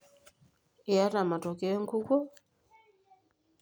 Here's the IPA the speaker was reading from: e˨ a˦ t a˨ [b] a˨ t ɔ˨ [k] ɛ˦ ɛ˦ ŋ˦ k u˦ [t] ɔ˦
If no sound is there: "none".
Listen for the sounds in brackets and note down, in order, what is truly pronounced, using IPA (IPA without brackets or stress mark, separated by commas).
m, k, k